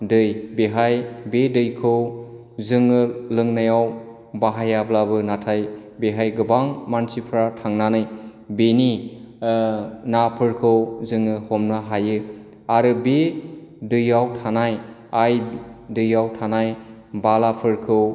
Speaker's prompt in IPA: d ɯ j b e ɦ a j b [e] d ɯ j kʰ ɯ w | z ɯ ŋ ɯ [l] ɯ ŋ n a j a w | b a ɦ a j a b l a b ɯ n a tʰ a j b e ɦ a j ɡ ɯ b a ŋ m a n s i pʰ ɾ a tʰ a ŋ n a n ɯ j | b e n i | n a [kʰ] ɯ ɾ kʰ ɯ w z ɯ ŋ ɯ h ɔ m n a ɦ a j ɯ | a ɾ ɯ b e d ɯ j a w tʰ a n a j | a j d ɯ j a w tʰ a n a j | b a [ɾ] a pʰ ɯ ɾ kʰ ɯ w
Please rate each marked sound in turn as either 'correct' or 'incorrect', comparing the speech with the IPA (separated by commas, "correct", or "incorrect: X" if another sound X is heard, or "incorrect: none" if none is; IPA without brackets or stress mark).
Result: correct, correct, incorrect: pʰ, incorrect: l